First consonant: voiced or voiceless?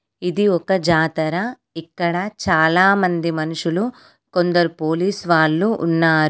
voiced